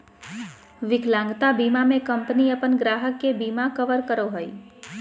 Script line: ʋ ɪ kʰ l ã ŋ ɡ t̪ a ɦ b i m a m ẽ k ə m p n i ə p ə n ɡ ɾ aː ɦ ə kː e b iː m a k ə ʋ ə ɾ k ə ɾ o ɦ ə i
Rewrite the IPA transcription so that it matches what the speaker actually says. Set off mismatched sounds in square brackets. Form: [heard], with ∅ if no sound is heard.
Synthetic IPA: ʋ ɪ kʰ l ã ŋ ɡ t̪ a [∅] b i m a m ẽ k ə m p n i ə p ə n ɡ ɾ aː ɦ ə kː e b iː m a k ə ʋ ə ɾ k ə ɾ o ɦ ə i

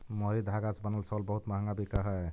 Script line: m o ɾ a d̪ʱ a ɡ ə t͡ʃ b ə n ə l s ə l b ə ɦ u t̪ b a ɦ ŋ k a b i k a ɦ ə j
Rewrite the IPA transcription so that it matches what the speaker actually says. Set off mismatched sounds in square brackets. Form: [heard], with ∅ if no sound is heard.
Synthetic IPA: m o ɾ [i] d̪ʱ a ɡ [a] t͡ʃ b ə n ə l s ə l b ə ɦ u t̪ [m] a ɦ ŋ [ɡ] a b i k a ɦ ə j

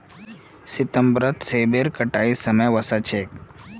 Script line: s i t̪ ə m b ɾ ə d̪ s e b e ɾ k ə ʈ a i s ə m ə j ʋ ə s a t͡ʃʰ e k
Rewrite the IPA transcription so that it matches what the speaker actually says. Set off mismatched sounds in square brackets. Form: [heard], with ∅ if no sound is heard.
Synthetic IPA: s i t̪ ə m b ɾ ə [t̪] s e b e ɾ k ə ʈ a i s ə m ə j ʋ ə s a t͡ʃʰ e k

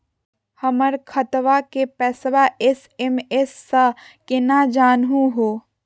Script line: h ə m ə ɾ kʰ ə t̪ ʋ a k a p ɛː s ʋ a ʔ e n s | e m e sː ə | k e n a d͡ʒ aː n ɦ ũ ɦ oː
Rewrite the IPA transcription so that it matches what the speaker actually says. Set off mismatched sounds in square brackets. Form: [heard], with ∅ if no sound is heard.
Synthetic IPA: h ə m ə ɾ kʰ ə t̪ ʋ a k [e] p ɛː s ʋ a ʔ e [∅] s | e m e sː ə | k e n a d͡ʒ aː n ɦ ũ ɦ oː

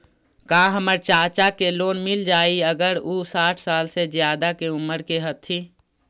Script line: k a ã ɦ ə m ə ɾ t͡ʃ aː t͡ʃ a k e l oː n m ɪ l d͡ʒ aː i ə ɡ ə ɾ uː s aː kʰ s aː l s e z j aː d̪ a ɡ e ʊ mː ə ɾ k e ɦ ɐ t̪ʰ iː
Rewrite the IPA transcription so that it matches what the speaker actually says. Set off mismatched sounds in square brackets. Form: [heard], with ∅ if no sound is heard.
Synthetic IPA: k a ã ɦ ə m ə ɾ t͡ʃ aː t͡ʃ a k e l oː n m ɪ l d͡ʒ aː i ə ɡ ə ɾ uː s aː [ʈʰ] s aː l s e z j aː d̪ a [k] e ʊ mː ə ɾ k e ɦ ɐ t̪ʰ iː

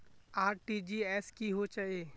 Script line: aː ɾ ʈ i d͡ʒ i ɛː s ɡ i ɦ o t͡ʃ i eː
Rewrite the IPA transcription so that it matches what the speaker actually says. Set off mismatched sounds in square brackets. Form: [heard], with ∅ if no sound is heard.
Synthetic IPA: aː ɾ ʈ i d͡ʒ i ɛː s [k] i ɦ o t͡ʃ [a] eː

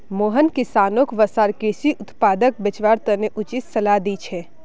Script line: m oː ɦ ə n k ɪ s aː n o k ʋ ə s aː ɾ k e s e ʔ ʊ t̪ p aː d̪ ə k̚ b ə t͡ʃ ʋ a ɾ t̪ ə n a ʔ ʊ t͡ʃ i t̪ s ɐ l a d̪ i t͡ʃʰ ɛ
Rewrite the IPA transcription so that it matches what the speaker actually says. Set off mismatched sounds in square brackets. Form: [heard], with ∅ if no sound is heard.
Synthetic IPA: m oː ɦ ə n k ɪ s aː n o k ʋ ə s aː ɾ k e s [i] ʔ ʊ t̪ p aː d̪ ə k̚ b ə t͡ʃ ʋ a ɾ t̪ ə n [e] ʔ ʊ t͡ʃ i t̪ s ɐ l a d̪ i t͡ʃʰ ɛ

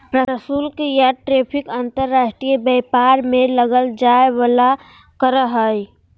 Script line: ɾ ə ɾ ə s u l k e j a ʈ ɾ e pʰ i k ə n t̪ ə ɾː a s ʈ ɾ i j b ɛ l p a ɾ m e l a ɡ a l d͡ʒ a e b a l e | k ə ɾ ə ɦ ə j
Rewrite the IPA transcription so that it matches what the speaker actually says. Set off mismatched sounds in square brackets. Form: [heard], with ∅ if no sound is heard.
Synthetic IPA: ɾ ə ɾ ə s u l k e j a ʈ ɾ e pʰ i k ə n t̪ ə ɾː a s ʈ ɾ i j b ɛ [∅] p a ɾ m e l [ə] ɡ [ə] l d͡ʒ a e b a l [a] | k ə ɾ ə ɦ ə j

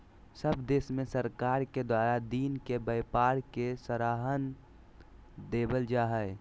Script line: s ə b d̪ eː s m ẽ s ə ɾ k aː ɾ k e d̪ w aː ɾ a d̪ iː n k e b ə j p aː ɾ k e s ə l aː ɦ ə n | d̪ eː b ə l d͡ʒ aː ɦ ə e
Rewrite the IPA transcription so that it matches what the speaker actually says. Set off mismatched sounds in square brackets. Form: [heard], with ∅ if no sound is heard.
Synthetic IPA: s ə b d̪ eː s m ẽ s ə ɾ k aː ɾ k e d̪ w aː ɾ a d̪ iː n k e b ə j p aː ɾ k e s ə [ɾ] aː ɦ ə n | d̪ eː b ə l d͡ʒ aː ɦ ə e

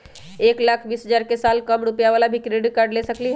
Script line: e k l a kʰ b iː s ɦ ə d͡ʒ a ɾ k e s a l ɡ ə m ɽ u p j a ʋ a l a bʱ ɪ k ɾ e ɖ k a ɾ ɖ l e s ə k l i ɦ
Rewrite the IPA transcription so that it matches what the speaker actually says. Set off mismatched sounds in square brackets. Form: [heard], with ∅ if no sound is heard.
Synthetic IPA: e k l a kʰ b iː s ɦ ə d͡ʒ a ɾ k e s a l [k] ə m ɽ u p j a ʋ a l a bʱ [i] k ɾ e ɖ k a ɾ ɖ l e s ə k l i ɦ

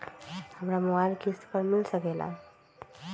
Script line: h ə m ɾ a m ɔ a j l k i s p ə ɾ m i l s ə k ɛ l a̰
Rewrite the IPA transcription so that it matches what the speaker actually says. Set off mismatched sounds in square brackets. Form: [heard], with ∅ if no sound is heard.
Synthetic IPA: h ə m ɾ a m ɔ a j l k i s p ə ɾ m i l s ə k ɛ l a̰

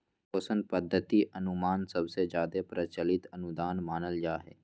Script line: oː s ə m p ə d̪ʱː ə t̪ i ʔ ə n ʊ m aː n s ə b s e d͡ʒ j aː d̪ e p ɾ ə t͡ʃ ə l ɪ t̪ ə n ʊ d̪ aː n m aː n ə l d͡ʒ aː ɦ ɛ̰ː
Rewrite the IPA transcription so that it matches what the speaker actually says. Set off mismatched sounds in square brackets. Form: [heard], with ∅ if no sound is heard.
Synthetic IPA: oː s ə [n] p ə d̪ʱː ə t̪ i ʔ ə n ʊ m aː n s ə b s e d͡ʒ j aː d̪ e p ɾ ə t͡ʃ ə l ɪ t̪ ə n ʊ d̪ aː n m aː n ə l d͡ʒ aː ɦ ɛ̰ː

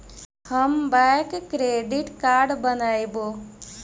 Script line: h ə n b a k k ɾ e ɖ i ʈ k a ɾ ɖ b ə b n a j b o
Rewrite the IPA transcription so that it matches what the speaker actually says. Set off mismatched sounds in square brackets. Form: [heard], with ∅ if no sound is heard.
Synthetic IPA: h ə [m] b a k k ɾ e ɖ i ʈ k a ɾ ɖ b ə [∅] n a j b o

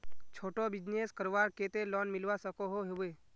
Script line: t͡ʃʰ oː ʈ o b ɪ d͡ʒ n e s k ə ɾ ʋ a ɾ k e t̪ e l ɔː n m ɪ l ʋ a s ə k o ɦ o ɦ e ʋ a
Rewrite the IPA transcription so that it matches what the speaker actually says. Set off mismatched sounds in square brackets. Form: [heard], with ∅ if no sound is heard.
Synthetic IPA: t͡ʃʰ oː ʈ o b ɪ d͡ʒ n e s k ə ɾ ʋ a ɾ k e t̪ e l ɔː n m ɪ l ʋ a s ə k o ɦ o ɦ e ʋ [e]

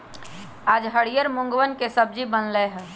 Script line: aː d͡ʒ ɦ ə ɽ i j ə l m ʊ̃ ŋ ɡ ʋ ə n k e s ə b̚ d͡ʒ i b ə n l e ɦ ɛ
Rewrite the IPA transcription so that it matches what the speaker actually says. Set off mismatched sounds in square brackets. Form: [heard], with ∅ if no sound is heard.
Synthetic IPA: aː d͡ʒ ɦ ə ɽ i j ə [ɾ] m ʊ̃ ŋ ɡ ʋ ə n k e s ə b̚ d͡ʒ i b ə n l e ɦ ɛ

